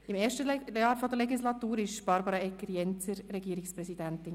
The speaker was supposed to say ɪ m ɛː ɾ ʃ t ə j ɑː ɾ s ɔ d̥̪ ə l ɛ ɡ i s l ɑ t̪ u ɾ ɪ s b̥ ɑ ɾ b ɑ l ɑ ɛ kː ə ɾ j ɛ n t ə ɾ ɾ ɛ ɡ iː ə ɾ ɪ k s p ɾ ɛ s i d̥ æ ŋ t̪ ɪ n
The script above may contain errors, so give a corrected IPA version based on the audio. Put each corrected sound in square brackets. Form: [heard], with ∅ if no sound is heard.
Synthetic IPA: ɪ m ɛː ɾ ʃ t ə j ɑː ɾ [f] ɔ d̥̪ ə l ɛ ɡ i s l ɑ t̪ [uː] ɾ ɪ [ʃ] b̥ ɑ ɾ b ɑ [ɾ] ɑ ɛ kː ə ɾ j ɛ n [t͡s] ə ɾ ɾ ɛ ɡ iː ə ɾ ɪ k s p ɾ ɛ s i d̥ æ [n] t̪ ɪ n